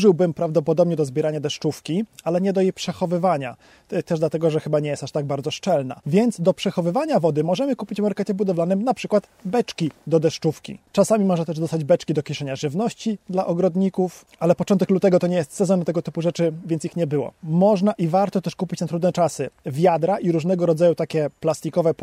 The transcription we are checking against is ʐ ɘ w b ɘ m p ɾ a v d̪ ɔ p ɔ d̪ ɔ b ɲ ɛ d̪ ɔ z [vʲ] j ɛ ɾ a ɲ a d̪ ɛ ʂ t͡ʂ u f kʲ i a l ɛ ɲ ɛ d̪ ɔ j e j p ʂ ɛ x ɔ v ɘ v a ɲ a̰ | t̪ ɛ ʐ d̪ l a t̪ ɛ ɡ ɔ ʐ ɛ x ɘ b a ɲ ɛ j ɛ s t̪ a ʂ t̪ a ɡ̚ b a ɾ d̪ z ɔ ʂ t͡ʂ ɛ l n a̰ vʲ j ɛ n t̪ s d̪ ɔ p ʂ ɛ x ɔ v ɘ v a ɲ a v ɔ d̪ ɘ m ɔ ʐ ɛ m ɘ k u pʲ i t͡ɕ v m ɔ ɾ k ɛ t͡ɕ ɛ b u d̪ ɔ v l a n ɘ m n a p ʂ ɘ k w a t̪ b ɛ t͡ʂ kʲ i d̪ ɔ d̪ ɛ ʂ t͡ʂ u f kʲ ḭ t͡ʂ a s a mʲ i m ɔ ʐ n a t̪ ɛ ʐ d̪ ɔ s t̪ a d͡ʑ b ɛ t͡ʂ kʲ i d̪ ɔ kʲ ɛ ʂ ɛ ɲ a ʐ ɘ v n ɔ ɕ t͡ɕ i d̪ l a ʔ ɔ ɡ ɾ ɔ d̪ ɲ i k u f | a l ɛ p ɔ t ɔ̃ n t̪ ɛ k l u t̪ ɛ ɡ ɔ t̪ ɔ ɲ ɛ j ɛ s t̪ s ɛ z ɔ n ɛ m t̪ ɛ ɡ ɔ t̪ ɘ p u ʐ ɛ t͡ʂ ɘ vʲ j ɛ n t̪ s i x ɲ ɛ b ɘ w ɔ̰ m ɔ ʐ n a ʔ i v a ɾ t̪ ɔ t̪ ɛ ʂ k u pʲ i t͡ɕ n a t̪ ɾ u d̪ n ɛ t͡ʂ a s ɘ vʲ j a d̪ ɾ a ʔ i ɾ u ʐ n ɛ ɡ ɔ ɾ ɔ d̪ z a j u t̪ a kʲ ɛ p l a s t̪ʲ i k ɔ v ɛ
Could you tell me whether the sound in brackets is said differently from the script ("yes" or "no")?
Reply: yes